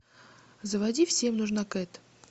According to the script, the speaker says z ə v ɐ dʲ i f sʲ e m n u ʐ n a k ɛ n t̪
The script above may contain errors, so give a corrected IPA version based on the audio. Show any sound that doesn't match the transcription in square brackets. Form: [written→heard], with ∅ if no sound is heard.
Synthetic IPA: z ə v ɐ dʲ i f sʲ e m n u ʐ n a k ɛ [n→∅] t̪